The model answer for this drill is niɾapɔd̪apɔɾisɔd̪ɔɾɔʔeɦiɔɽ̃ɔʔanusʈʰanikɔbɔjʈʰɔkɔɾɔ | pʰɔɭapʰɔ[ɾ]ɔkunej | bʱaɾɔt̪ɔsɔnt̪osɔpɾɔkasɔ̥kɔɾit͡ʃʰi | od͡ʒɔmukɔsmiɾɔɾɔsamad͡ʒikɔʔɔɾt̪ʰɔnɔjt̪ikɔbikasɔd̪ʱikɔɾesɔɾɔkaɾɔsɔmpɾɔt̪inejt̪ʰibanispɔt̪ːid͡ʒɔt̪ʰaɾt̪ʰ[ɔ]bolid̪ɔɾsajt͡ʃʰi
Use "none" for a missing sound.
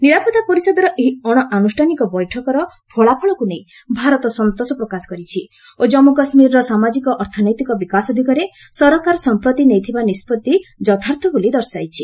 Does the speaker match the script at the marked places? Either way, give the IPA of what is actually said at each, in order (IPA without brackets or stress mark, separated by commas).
ɭ, ɔ